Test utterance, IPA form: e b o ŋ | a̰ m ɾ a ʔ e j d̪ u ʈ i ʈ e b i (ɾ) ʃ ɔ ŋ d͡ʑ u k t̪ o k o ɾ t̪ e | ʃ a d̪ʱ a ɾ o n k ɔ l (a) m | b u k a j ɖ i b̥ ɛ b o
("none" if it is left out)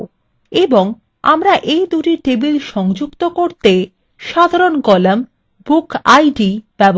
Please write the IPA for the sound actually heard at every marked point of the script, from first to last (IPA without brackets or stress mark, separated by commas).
l, a